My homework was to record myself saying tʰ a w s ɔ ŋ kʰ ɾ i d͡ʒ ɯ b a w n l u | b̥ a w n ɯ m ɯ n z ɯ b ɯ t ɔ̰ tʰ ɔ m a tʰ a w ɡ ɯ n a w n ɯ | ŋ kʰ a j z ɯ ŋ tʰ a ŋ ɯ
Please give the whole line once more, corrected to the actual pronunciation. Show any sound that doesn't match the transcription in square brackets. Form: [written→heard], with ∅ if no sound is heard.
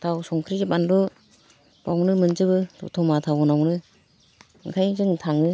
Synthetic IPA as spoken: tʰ a w s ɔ ŋ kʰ ɾ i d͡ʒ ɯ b a [w→∅] n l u | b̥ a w n ɯ m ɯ n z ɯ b ɯ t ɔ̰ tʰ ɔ m a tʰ a w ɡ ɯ n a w n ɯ | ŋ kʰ a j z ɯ ŋ tʰ a ŋ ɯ

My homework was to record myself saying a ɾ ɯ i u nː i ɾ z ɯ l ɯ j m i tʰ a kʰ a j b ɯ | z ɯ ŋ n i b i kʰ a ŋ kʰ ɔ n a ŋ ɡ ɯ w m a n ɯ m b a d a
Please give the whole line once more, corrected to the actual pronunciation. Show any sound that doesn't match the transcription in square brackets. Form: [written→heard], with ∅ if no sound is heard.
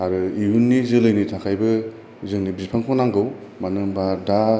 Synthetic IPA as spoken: a ɾ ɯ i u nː i [ɾ→∅] z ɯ l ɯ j [m→n] i tʰ a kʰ a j b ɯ | z ɯ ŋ n i b i [kʰ→pʰ] a ŋ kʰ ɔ n a ŋ ɡ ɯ w m a n ɯ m b a d a

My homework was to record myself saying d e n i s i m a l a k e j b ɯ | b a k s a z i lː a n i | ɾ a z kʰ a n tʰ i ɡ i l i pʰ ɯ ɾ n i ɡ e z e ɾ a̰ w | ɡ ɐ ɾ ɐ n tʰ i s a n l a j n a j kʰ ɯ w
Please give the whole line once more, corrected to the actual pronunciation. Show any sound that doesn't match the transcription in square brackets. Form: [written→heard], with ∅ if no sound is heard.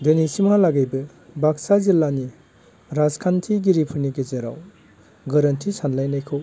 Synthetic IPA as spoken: d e n i s i m a l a [k→ɡ] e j b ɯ | b a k s a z i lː a n i | ɾ a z kʰ a n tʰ i ɡ i [l→ɾ] i pʰ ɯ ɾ n i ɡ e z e ɾ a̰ w | ɡ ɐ ɾ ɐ n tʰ i s a n l a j n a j kʰ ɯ w

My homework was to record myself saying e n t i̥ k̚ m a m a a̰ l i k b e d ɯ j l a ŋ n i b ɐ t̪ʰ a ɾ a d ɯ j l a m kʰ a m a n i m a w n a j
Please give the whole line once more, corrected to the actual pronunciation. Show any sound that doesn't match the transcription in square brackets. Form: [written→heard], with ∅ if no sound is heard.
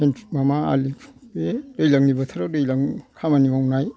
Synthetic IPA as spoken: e n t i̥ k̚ m a m a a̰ l i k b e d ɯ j l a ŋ n i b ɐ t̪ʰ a ɾ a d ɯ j l a [m→ŋ] kʰ a m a n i m a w n a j

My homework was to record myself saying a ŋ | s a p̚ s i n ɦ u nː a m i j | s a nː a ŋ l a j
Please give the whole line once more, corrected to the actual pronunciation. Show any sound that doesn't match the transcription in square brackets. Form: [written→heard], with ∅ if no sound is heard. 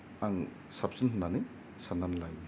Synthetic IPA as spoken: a ŋ | s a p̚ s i n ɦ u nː a [m→n] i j | s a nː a [ŋ→n] l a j

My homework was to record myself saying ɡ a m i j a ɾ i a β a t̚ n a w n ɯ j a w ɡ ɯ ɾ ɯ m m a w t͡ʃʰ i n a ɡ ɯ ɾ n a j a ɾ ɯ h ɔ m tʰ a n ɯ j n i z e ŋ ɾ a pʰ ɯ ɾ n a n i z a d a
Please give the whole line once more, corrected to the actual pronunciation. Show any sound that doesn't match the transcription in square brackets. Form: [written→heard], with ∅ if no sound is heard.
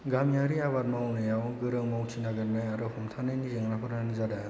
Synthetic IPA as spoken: ɡ a m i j a ɾ i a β a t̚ [n→m] a w n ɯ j a w ɡ ɯ ɾ ɯ [m→ŋ] m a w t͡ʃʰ i n a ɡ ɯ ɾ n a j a ɾ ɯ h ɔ m tʰ a n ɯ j n i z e ŋ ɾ a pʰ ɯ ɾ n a n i z a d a

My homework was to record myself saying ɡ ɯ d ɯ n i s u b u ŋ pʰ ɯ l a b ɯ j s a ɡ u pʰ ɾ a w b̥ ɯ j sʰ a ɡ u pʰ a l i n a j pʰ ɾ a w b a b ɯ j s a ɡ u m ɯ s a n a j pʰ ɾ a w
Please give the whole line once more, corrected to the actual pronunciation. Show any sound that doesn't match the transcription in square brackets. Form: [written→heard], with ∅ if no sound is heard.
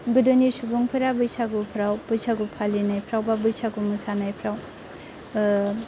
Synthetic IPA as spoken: ɡ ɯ d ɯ n i s u b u ŋ pʰ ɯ [l→ɾ] a b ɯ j s a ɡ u pʰ ɾ a w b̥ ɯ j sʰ a ɡ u pʰ a l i n a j pʰ ɾ a w b a b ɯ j s a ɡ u m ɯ s a n a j pʰ ɾ a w

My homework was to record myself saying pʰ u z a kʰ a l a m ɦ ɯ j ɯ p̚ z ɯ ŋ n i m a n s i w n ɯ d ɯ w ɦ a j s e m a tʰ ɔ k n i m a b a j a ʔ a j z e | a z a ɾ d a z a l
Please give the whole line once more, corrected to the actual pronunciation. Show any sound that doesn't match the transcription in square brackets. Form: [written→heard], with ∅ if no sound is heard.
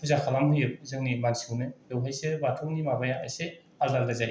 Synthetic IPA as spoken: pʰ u z a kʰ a l a m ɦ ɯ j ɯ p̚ z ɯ ŋ n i m a n s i w n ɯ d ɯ w ɦ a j s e [m→b] a tʰ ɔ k n i m a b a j a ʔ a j [z→s] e | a z a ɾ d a z a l

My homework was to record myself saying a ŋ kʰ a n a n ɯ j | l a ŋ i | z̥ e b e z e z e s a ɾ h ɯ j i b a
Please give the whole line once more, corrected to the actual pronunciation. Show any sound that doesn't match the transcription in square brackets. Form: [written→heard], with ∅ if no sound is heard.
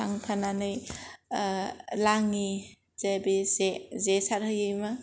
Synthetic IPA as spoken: a ŋ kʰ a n a n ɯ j | l a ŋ i | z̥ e b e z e z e s a ɾ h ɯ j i [b→m] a

